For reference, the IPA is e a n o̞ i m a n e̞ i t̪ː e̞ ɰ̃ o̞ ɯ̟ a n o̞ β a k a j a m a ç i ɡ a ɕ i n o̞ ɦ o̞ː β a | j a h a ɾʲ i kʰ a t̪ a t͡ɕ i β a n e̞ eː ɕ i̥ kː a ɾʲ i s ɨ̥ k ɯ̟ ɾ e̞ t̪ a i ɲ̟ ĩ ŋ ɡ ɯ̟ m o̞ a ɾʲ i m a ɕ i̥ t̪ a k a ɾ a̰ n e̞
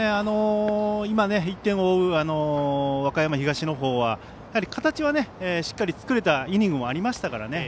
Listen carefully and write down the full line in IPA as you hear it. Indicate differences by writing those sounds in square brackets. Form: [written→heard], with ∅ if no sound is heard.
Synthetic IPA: e a n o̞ i m a n e̞ i t̪ː [e̞→ẽ̞] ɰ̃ o̞ ɯ̟ a n o̞ β a k a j a m a ç i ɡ a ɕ i n o̞ ɦ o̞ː β a | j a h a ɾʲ i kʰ a t̪ a t͡ɕ i β a n e̞ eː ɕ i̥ kː a ɾʲ i [s→t͡s] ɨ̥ k ɯ̟ ɾ e̞ t̪ a i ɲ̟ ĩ ŋ ɡ ɯ̟ m o̞ a ɾʲ i m a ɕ i̥ t̪ a k a ɾ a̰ n e̞